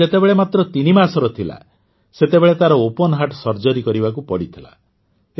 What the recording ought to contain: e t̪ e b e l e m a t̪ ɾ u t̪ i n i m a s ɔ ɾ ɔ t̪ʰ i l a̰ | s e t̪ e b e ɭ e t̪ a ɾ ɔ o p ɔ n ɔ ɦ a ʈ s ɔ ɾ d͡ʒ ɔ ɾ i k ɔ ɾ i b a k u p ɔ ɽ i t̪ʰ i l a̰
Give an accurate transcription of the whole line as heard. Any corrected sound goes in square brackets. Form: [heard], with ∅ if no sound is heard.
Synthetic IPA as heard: e t̪ e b e [ɭ] e m a t̪ ɾ [ɔ] t̪ i n i m a s ɔ ɾ ɔ t̪ʰ i l a̰ | s e t̪ e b e ɭ e t̪ a ɾ ɔ o p ɔ n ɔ ɦ a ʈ s ɔ ɾ d͡ʒ ɔ ɾ i k ɔ ɾ i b a k u p ɔ ɽ i t̪ʰ i l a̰

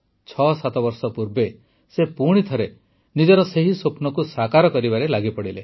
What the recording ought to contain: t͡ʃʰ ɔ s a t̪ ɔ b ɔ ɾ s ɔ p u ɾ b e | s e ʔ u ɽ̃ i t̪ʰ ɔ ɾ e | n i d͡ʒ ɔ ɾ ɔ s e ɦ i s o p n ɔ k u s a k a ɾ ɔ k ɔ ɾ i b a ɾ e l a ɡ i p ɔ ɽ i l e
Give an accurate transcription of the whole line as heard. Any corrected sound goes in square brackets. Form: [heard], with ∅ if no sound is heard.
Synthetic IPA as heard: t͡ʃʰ ɔ s a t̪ ɔ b ɔ ɾ s ɔ p u ɾ b e | s e [p] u ɽ̃ i t̪ʰ ɔ ɾ e | n i d͡ʒ ɔ ɾ ɔ s e ɦ i s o p n ɔ k u s a k a ɾ ɔ k ɔ ɾ i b a ɾ e l a ɡ i p ɔ ɽ i l e

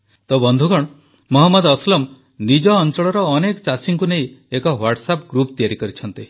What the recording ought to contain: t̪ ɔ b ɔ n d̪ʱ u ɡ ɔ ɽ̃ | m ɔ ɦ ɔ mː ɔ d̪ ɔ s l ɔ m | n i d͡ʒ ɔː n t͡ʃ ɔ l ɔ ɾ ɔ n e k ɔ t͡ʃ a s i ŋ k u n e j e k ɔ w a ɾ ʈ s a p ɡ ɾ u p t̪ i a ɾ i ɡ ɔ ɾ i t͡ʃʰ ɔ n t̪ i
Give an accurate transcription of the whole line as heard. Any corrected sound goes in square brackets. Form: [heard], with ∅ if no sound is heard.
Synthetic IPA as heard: t̪ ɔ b ɔ n d̪ʱ u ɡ ɔ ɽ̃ | m ɔ ɦ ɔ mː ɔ d̪ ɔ s l ɔ m | n i d͡ʒ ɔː n t͡ʃ ɔ [ɭ] ɔ ɾ [ɔː] n e k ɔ t͡ʃ a s i ŋ k u n e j e k ɔ w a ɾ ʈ s a p ɡ ɾ u p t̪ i a ɾ i [k] ɔ ɾ i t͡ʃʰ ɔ n t̪ i

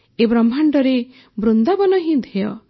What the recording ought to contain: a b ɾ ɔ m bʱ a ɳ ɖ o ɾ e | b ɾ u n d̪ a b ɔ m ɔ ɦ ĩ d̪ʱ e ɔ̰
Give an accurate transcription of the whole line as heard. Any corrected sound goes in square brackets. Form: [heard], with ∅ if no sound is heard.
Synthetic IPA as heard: [e] b ɾ ɔ m bʱ a ɳ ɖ [ɔ] ɾ e | b ɾ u n d̪ a b ɔ [n] ɔ ɦ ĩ d̪ʱ e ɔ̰

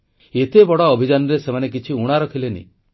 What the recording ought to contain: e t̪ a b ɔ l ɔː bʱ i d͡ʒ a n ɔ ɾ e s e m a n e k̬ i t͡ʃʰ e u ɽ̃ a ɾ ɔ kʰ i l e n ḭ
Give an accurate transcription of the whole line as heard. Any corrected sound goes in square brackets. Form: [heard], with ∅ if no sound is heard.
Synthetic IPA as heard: e t̪ [e] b ɔ [ɽ] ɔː bʱ i d͡ʒ a n ɔ ɾ e s e m a n e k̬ i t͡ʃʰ [i] u ɽ̃ a ɾ ɔ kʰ i l e n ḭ

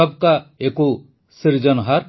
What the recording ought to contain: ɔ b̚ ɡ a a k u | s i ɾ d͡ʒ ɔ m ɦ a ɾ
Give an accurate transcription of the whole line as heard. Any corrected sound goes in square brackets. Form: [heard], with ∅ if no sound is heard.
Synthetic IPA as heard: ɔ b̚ [k] a [e] k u | s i ɾ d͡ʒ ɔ [n] ɦ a ɾ

